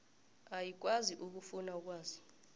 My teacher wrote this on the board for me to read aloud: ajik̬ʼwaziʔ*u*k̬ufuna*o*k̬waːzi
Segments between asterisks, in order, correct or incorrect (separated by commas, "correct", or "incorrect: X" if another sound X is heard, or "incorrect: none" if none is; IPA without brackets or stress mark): correct, incorrect: u